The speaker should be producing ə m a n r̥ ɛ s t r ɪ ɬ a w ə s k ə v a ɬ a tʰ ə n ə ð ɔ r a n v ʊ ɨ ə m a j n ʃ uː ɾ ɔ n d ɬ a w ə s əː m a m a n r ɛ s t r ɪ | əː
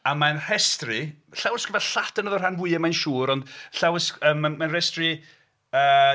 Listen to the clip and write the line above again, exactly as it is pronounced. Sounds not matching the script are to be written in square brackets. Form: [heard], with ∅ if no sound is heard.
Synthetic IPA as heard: [a] m a n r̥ ɛ s t r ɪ ɬ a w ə s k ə v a ɬ a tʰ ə n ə ð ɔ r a n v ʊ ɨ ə m a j n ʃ uː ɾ ɔ n d ɬ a w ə s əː m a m a n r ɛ s t r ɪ | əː